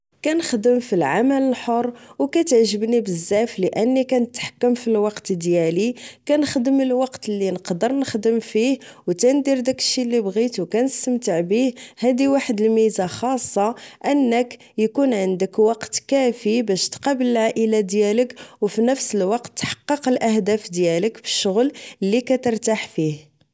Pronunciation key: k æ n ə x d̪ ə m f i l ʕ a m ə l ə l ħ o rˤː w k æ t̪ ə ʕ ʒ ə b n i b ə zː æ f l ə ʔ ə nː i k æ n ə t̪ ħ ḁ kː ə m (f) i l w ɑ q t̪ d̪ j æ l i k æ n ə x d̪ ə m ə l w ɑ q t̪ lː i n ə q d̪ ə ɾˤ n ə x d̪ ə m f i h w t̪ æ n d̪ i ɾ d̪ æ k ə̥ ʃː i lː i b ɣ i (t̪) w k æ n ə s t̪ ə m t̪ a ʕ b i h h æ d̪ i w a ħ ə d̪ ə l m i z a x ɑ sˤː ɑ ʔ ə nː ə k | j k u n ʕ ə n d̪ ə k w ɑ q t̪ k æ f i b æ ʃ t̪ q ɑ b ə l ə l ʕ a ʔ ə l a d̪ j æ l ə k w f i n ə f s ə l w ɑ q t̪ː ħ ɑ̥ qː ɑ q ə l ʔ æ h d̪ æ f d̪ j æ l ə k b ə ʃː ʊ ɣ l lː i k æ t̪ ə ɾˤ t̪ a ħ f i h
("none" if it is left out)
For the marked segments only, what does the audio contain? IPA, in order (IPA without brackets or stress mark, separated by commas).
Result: f, t̪